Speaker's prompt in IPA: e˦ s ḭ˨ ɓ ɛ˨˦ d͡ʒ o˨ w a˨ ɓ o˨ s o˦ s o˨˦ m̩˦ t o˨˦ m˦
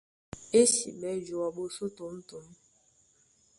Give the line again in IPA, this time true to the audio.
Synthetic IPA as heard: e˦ s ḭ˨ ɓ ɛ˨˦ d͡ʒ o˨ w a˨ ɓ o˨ s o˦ t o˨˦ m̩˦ t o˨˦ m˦